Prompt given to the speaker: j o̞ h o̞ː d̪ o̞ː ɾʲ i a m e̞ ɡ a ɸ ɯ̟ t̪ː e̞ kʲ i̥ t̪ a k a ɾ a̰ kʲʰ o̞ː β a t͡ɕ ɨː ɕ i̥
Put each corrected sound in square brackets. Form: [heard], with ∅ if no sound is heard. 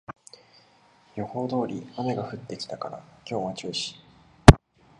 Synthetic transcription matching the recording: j o̞ h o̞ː d̪ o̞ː ɾʲ i a m e̞ ɡ a ɸ ɯ̟ t̪ː e̞ kʲ i̥ t̪ a k a ɾ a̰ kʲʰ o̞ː β a t͡ɕ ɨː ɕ i̥